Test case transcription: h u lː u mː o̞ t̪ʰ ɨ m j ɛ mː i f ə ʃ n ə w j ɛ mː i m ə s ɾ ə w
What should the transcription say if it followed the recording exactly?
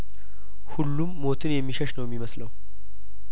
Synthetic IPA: h u lː u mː o̞ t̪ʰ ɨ n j ɛ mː i ʃ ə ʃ n ə w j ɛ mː i m ə s l ə w